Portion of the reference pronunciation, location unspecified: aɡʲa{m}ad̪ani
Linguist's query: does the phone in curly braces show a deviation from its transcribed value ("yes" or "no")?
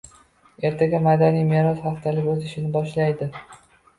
no